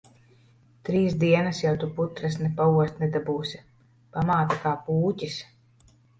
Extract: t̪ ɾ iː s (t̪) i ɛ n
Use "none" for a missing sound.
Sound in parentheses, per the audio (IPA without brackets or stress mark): d̪